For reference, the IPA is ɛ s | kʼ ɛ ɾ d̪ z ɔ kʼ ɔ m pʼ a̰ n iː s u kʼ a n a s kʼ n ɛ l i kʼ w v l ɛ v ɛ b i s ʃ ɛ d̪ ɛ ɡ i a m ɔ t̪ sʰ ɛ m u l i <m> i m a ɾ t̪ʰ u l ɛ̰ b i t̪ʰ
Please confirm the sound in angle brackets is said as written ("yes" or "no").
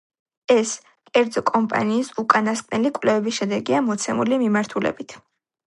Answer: yes